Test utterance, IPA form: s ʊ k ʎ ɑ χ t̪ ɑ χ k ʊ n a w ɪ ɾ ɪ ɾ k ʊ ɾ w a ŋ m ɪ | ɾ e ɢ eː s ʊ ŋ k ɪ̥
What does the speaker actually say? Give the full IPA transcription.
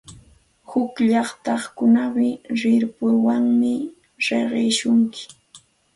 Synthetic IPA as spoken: h ʊ k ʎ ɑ χ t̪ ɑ χ k ʊ n a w ɪ ɾ ɪ ɾ p ʊ ɾ w a ŋ m ɪ | ɾ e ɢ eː ʃ ʊ ŋ k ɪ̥